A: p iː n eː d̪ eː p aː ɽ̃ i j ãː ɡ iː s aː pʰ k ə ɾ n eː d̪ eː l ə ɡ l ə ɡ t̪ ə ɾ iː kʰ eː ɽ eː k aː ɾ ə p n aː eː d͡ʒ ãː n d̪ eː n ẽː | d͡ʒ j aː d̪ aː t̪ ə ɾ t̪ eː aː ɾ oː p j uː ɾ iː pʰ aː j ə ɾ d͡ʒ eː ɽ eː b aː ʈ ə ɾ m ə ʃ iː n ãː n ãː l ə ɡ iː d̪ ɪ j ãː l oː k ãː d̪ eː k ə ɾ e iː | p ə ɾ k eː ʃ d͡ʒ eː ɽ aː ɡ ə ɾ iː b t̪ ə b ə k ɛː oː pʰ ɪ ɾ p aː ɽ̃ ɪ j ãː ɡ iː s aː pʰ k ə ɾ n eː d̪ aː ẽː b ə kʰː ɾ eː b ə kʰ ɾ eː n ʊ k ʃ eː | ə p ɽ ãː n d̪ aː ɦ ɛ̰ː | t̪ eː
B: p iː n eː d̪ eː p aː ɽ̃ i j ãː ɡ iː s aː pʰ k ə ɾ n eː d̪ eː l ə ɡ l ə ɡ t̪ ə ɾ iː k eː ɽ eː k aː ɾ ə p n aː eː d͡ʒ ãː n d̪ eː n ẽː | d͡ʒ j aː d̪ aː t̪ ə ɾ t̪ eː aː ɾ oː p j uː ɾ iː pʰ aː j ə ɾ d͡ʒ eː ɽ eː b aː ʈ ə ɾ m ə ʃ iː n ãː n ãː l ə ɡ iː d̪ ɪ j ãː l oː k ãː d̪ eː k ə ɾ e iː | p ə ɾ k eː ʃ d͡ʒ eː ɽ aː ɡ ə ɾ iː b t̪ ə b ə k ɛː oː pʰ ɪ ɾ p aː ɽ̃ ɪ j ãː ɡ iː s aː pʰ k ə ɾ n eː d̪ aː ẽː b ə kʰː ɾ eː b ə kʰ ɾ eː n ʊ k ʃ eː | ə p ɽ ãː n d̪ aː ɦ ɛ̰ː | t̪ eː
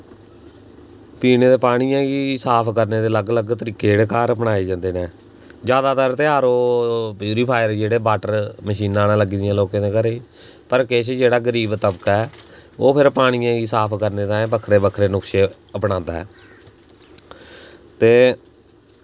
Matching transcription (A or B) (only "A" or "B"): B